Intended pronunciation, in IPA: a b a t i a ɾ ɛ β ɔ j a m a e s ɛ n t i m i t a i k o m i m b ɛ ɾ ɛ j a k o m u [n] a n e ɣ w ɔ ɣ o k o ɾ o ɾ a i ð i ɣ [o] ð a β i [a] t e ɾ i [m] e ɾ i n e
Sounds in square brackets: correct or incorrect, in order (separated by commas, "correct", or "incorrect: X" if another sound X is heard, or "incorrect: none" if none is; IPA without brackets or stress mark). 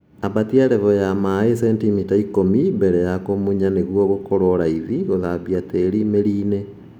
incorrect: ɲ, correct, correct, correct